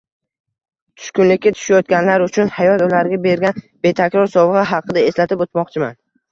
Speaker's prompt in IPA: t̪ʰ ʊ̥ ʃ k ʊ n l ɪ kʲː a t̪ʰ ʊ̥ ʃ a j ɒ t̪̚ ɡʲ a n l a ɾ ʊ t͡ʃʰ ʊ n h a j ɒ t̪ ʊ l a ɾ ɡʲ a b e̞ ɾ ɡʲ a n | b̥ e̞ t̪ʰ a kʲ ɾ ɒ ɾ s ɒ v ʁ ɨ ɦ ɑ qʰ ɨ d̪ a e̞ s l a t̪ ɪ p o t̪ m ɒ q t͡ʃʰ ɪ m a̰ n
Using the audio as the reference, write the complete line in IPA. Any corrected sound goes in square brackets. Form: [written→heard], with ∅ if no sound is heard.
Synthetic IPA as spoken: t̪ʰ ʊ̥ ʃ k ʊ n l ɪ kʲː a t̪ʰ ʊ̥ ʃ a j ɒ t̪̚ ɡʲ a n l a ɾ ʊ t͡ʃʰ ʊ n h a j ɒ t̪ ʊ l a ɾ ɡʲ a b e̞ ɾ ɡʲ a n | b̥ e̞ t̪ʰ a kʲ ɾ ɒ ɾ s ɒ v ʁ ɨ ɦ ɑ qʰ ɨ d̪ a e̞ s l a t̪ ɪ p o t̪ m ɒ q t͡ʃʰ ɪ m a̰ n